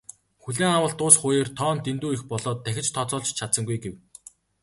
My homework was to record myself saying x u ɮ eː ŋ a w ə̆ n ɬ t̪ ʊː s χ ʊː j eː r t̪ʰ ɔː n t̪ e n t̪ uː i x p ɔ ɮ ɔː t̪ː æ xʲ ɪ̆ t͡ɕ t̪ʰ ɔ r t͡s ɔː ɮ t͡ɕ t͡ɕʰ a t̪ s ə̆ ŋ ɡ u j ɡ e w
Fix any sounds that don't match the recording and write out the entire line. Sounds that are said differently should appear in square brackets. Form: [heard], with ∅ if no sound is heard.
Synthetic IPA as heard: x u ɮ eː ŋ a w ə̆ [∅] ɬ t̪ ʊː s χ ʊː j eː r t̪ʰ ɔː n t̪ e n t̪ uː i x p ɔ ɮ ɔː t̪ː æ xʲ ɪ̆ t͡ɕ t̪ʰ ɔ [∅] t͡s ɔː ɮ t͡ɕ t͡ɕʰ a t̪ s ə̆ ŋ ɡ u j ɡ e w